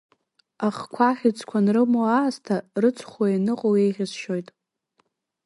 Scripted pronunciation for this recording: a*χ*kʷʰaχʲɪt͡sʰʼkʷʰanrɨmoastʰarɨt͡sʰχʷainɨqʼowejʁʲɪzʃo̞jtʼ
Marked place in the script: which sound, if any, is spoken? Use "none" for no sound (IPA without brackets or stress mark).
χ